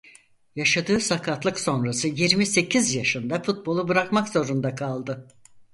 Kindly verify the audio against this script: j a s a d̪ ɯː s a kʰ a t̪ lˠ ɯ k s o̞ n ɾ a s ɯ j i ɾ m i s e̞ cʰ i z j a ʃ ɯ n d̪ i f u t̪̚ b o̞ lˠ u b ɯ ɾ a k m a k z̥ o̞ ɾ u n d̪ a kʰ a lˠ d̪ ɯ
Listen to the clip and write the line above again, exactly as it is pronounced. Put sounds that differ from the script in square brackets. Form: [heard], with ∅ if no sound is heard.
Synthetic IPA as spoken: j a [ʃ] a d̪ ɯː s a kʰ a t̪ lˠ ɯ k s o̞ n ɾ a s ɯ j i ɾ m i s e̞ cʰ i z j a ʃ ɯ n d̪ [a] f u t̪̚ b o̞ lˠ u b ɯ ɾ a k m a k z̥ o̞ ɾ u n d̪ a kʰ a lˠ d̪ ɯ